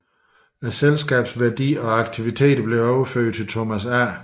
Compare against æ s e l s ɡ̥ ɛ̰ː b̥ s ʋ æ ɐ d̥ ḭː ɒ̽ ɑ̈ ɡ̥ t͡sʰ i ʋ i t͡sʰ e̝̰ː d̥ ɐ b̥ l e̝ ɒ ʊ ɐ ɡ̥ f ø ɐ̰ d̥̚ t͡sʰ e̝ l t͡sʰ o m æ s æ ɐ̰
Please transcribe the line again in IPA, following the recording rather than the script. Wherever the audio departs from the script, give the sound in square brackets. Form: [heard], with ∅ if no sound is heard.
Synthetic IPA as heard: æ s e l s ɡ̥ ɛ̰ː b̥ s ʋ æ ɐ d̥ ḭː ɒ̽ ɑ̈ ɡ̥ t͡sʰ i ʋ i t͡sʰ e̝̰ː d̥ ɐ b̥ l e̝ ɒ ʊ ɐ [∅] f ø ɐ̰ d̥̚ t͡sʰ e̝ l t͡sʰ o m æ s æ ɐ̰

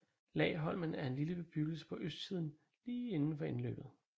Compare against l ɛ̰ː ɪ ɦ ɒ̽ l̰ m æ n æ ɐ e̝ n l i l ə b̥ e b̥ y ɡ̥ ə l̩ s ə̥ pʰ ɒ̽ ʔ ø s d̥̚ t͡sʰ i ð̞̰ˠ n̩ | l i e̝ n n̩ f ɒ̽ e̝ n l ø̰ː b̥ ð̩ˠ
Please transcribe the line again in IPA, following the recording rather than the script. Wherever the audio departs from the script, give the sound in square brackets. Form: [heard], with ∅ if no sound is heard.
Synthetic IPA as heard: l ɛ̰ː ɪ ɦ ɒ̽ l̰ m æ n æ ɐ e̝ n l i l ə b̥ e b̥ y ɡ̥ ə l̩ s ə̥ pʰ ɒ̽ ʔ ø s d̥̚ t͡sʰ i ð̞̰ˠ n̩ | l [iː] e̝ n n̩ f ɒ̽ e̝ n l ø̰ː b̥ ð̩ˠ

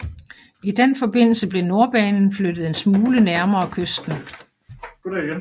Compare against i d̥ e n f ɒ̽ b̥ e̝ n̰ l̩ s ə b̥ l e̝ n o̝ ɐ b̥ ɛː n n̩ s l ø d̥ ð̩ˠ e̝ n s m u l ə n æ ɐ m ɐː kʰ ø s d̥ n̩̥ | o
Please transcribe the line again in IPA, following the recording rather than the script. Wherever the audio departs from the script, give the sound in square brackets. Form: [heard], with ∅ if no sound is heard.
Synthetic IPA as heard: i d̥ e n f ɒ̽ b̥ e̝ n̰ l̩ s ə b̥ l e̝ n o̝ ɐ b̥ ɛː n n̩ [f] l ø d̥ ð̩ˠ e̝ n s m [uː] l ə n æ ɐ m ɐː kʰ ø s d̥ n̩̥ | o

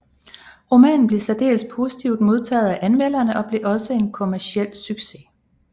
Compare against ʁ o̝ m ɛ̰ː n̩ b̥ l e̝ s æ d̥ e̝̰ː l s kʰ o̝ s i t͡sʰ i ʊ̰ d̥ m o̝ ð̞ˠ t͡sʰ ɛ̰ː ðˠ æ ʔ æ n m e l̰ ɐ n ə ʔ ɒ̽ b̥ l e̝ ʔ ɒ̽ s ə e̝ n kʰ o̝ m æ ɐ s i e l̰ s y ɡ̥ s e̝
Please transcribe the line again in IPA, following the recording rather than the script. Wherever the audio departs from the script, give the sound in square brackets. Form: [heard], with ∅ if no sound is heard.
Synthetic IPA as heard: ʁ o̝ m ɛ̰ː n̩ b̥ l e̝ s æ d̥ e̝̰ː l s [pʰ] o̝ s i t͡sʰ i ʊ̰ d̥ m o̝ ð̞ˠ t͡sʰ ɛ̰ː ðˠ æ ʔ æ n m e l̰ ɐ n ə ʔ ɒ̽ b̥ l e̝ ʔ ɒ̽ s ə e̝ n kʰ o̝ m æ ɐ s i e l̰ s y ɡ̥ s e̝

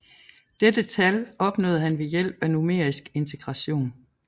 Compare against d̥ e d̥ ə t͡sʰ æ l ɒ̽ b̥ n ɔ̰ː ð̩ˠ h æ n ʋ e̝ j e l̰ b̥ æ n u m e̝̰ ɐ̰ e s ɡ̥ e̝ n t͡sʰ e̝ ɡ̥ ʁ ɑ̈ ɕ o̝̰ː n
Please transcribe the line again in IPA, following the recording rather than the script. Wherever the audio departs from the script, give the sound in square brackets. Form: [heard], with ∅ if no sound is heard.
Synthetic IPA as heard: d̥ e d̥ ə t͡sʰ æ l ɒ̽ b̥ n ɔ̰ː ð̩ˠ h æ n ʋ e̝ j e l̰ b̥ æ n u m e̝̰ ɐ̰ [i] s ɡ̥ e̝ n t͡sʰ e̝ ɡ̥ ʁ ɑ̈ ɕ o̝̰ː n

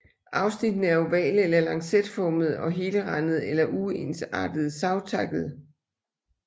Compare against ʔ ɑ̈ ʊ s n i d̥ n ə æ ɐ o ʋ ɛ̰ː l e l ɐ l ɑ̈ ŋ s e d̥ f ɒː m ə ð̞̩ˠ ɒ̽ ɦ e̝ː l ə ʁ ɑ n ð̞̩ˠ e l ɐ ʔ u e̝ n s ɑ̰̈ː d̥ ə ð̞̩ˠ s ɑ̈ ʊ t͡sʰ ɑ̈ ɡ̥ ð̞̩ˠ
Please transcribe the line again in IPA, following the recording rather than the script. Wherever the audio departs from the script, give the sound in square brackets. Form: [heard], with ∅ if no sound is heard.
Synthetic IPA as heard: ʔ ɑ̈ ʊ s n i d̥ n ə æ ɐ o ʋ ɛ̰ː l e l ɐ l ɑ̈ ŋ s e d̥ f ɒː m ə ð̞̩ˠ ɒ̽ ɦ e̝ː l ə ʁ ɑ n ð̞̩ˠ e l ɐ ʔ u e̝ n s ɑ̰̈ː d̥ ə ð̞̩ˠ s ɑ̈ ʊ t͡sʰ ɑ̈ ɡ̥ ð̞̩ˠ

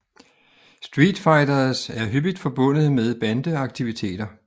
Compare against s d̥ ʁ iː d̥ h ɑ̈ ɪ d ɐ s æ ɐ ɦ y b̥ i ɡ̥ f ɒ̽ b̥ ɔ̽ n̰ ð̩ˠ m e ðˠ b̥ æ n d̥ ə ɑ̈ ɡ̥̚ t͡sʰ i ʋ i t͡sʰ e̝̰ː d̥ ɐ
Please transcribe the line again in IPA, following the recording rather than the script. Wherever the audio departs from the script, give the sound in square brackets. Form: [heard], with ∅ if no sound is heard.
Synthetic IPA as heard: s d̥ ʁ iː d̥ [f] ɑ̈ ɪ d ɐ s æ ɐ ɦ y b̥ i [d̥] f ɒ̽ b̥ ɔ̽ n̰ ð̩ˠ m e ðˠ b̥ æ n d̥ ə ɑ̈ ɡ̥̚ t͡sʰ i ʋ i t͡sʰ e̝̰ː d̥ ɐ

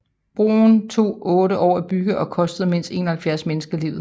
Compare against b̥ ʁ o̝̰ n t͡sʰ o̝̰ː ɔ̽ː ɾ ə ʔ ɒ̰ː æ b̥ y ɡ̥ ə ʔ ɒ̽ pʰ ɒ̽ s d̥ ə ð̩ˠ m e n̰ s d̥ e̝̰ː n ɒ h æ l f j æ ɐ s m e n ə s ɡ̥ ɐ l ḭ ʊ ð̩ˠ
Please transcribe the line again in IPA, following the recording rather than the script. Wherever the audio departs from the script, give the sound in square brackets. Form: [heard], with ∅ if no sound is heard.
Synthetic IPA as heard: b̥ ʁ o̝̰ n t͡sʰ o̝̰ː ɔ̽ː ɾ ə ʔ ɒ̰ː æ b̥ y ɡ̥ ə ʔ ɒ̽ [kʰ] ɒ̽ s d̥ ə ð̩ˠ m e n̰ s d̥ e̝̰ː n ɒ h æ l f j æ ɐ s m e n ə s ɡ̥ ɐ l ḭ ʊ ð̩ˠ

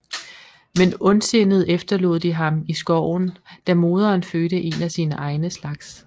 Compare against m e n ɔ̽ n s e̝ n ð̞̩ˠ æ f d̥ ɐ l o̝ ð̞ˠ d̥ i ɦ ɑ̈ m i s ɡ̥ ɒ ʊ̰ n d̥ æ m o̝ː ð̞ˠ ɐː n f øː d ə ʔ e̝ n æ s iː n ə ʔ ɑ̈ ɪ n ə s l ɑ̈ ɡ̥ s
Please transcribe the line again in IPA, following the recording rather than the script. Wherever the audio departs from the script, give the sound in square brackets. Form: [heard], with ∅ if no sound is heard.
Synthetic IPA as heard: m e n ɔ̽ n s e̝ n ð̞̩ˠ [e] f d̥ ɐ l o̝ ð̞ˠ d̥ i ɦ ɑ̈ m i s ɡ̥ ɒ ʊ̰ n d̥ æ m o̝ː ð̞ˠ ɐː n f øː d ə ʔ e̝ n æ s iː n ə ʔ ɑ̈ ɪ n ə s l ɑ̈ ɡ̥ s

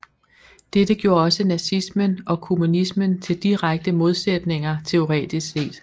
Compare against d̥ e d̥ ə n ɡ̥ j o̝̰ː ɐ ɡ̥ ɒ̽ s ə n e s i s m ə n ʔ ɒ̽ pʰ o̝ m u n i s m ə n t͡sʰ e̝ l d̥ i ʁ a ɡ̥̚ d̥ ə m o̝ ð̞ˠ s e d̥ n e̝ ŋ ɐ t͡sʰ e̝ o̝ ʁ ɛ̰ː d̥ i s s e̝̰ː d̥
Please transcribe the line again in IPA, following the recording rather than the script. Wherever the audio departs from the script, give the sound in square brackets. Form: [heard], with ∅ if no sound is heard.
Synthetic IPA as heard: d̥ e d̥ ə [∅] ɡ̥ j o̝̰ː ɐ [∅] ɒ̽ s ə n [æ] s i s m ə n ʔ ɒ̽ [kʰ] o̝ m u n i s m ə n t͡sʰ e̝ l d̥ i ʁ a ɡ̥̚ d̥ ə m o̝ ð̞ˠ s e d̥ n e̝ ŋ ɐ t͡sʰ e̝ o̝ ʁ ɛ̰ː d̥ i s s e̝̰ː d̥

